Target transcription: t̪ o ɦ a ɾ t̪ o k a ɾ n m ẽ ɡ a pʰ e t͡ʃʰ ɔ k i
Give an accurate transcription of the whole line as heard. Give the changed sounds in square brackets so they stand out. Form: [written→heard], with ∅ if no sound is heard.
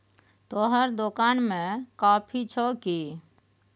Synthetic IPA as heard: t̪ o ɦ [a→ə] ɾ [t̪→d̪] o k a [ɾ→∅] n m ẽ [ɡ→k] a pʰ [e→i] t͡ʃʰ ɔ k i